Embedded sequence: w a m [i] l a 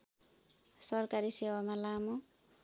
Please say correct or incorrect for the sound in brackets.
incorrect